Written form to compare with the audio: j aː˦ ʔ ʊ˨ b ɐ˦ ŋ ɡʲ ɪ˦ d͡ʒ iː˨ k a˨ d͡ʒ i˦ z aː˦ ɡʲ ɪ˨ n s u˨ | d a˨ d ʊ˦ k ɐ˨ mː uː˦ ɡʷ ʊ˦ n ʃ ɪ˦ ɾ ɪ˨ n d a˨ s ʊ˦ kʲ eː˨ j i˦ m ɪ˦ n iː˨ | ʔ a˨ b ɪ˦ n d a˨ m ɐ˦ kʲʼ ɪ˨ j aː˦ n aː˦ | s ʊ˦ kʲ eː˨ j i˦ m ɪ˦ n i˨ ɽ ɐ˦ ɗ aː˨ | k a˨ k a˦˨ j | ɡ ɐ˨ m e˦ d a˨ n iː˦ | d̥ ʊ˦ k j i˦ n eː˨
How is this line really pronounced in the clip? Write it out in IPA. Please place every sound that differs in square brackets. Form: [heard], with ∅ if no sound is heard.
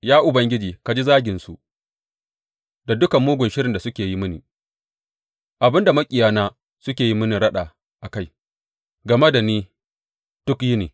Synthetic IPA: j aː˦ ʔ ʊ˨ b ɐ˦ ŋ ɡʲ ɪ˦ d͡ʒ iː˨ k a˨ d͡ʒ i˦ z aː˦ ɡʲ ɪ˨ n s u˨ | d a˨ d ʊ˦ k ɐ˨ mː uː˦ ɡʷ [ʊ˨] n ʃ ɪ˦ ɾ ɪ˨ n d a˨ s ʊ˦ kʲ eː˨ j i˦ m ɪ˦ n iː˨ | ʔ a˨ b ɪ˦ n d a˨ m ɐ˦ kʲʼ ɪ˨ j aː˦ n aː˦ | s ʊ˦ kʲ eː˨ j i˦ m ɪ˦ n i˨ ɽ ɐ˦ ɗ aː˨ | [ʔ] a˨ k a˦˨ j | ɡ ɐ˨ m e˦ d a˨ n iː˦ | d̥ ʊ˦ k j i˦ n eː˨